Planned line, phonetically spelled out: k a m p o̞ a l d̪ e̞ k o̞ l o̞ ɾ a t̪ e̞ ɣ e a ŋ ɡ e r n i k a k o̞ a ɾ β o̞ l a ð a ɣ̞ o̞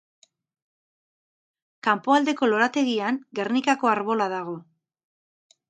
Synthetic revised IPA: k a m p o̞ a l d̪ e̞ k o̞ l o̞ ɾ a t̪ e̞ ɣ i a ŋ ɡ e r n i k a k o̞ a ɾ β o̞ l a ð a ɣ̞ o̞